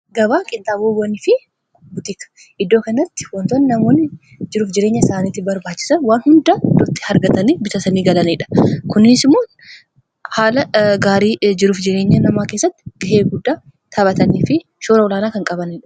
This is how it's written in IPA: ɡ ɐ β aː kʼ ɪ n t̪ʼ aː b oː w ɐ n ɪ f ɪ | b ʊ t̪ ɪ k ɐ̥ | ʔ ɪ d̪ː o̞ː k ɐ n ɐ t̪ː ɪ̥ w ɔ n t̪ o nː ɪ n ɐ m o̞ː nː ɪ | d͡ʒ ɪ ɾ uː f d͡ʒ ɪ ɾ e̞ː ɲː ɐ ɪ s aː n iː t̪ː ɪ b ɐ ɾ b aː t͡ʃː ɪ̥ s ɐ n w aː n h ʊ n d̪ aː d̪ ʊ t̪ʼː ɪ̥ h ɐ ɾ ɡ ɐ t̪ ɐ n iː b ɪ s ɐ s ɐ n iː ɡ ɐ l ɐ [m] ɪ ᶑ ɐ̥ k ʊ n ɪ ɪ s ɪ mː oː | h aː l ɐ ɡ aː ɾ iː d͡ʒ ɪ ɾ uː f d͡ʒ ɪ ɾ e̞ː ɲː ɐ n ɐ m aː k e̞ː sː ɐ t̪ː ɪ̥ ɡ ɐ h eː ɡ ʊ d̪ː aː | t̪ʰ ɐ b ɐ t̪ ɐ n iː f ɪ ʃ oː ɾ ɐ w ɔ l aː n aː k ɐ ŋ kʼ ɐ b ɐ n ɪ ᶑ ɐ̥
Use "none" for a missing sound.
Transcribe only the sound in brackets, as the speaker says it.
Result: n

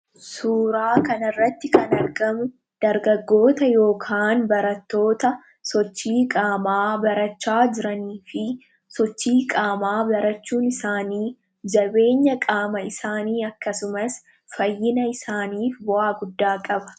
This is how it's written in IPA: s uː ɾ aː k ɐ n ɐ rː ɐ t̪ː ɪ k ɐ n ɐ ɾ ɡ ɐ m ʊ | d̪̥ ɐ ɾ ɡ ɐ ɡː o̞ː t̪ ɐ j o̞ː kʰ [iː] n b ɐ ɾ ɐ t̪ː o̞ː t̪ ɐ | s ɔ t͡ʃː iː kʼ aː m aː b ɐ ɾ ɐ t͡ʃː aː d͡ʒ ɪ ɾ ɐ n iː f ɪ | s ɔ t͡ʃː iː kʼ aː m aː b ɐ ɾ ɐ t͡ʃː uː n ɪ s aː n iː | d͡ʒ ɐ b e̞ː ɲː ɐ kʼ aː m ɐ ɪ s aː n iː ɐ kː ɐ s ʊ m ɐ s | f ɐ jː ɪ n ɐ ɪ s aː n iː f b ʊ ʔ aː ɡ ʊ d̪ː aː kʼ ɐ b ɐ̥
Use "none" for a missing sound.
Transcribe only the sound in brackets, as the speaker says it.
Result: aː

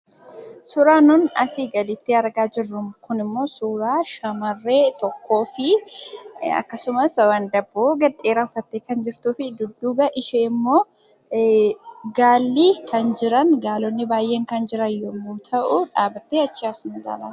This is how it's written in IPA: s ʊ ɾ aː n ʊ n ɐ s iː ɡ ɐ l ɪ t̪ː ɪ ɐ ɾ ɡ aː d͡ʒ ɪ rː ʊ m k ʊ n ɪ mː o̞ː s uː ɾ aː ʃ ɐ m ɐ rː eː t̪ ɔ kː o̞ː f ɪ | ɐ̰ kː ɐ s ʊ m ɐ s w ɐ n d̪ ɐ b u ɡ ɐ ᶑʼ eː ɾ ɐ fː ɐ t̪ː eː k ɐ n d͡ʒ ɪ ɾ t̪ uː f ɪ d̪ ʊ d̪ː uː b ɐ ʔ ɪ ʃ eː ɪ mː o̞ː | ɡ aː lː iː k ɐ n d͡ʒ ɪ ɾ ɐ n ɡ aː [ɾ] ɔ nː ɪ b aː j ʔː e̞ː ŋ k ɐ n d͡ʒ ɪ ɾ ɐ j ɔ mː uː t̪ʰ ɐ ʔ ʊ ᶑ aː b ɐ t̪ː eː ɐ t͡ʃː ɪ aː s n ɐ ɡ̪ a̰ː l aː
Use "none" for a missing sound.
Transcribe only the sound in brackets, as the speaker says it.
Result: l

